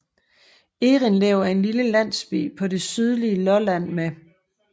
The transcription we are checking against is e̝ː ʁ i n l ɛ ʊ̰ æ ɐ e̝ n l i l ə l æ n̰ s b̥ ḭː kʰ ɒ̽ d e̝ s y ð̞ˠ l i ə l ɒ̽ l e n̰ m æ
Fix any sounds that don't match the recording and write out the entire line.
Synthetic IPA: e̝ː ʁ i n l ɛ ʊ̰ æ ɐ e̝ n l i l ə l æ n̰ s b̥ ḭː pʰ ɒ̽ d e̝ s y ð̞ˠ l i ə l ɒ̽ l æ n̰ m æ